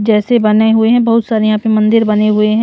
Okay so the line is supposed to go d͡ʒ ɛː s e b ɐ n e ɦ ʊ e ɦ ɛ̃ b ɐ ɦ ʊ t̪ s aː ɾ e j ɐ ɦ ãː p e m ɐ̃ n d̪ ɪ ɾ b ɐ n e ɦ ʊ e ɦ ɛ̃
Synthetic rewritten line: d͡ʒ ɛː s e b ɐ n e ɦ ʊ e ɦ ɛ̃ b ɐ ɦ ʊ t̪ s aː ɾ e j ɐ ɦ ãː p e m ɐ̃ n d̪ ɪ ɾ b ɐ n e ɦ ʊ e ɦ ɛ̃

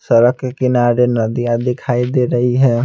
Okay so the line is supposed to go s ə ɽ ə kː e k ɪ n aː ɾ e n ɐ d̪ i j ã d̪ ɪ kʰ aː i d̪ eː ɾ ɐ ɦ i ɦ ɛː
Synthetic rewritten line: s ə ɾ ə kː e k ɪ n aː ɾ e n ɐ d̪ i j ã d̪ ɪ kʰ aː i d̪ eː ɾ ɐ ɦ i ɦ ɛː

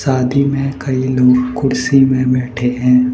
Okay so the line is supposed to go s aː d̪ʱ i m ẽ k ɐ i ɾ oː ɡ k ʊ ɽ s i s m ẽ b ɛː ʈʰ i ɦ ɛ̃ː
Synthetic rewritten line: s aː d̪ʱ i m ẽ k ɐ i l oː ɡ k ʊ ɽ s i m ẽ b ɛː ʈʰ e ɦ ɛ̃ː

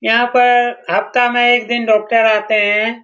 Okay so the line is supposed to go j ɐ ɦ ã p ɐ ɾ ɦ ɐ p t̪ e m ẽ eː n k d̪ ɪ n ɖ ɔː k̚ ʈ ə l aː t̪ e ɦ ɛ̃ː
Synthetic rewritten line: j ɐ ɦ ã p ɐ ɾ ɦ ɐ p t̪ a m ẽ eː k d̪ ɪ n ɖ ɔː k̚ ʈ ə ɾ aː t̪ e ɦ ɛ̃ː

